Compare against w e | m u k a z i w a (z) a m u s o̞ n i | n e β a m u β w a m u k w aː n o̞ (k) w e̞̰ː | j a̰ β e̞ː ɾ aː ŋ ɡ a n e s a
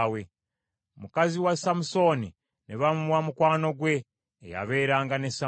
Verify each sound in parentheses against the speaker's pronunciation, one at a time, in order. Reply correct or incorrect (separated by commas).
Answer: incorrect, incorrect